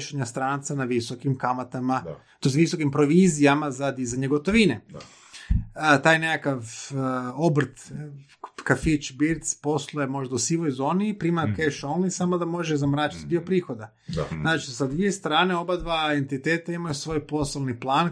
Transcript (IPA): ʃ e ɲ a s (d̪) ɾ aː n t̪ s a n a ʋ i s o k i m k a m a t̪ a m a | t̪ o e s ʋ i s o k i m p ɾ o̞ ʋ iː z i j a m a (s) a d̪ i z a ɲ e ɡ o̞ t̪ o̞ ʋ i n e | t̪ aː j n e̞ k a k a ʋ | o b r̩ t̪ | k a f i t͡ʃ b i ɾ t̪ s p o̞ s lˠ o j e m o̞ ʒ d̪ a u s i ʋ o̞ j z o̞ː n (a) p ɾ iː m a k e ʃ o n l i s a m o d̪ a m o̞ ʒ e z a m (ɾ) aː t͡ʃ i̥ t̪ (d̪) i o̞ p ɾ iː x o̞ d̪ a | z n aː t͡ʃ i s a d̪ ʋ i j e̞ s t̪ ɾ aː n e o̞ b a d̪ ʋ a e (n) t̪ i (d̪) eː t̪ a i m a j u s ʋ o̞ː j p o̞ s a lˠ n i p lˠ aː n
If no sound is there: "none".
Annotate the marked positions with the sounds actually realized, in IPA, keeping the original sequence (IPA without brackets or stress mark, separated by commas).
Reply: t̪, z, i, ɾ, d̪, n, t̪